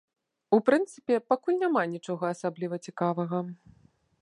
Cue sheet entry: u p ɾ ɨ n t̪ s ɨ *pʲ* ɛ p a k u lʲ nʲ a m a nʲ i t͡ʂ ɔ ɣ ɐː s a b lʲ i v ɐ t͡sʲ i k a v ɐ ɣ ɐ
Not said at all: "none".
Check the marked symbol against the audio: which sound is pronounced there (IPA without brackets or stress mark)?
pʲ